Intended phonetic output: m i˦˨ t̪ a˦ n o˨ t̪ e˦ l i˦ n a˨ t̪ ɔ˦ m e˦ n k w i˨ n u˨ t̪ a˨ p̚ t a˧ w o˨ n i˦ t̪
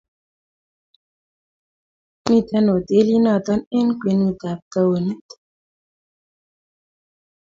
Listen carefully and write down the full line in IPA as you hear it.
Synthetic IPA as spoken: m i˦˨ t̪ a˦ n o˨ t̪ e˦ l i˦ n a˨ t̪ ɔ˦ n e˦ n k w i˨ n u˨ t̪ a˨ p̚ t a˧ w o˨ n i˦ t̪